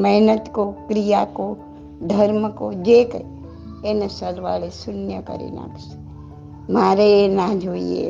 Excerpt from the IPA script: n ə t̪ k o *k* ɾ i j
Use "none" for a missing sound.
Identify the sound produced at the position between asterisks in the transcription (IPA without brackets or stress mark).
k